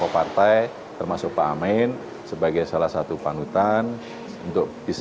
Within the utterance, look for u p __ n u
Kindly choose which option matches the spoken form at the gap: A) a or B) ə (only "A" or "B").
A